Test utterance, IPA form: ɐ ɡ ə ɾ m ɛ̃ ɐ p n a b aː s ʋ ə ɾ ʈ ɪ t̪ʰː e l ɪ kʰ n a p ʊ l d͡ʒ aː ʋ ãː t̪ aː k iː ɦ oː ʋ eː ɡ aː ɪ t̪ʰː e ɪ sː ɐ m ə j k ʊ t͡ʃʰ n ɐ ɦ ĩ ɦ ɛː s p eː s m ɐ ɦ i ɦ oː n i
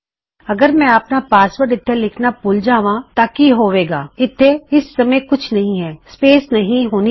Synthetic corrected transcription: ɐ ɡ ə ɾ m ɛ̃ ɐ p n a p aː s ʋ ə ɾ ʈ ɪ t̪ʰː e l ɪ kʰ n a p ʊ l d͡ʒ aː ʋ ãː t̪ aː k i ɦ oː ʋ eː ɡ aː ɪ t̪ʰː e ɪ sː ɐ m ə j k ʊ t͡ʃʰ n ɐ ɦ ĩ ɦ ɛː s p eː s n ɐ ɦ ĩ ɦ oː n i